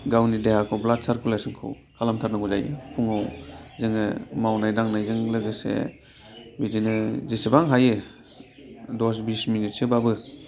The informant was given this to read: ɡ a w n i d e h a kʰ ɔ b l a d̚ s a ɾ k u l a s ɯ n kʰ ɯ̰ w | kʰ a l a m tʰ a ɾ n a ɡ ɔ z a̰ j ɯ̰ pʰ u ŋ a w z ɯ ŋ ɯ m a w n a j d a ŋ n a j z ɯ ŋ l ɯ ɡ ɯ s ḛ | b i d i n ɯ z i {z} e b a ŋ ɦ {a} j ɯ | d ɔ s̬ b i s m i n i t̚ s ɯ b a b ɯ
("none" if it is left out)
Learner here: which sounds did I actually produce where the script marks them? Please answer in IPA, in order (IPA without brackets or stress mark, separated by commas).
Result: s, a